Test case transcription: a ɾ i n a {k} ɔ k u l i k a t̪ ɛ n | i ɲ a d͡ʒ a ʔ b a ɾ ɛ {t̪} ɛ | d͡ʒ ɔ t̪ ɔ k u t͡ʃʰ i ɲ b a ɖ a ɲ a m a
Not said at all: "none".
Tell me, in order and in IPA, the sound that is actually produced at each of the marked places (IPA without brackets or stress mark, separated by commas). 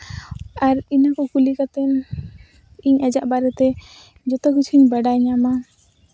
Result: k, t̪